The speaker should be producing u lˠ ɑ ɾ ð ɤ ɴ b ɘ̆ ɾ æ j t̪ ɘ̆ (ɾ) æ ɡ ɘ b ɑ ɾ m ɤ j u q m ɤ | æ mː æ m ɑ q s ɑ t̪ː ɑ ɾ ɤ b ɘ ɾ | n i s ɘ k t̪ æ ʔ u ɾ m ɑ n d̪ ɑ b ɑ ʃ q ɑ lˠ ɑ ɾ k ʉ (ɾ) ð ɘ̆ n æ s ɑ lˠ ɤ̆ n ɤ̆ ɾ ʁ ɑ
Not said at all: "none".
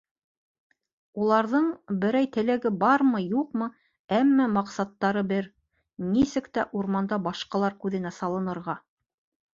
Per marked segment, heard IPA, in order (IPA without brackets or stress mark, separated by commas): l, none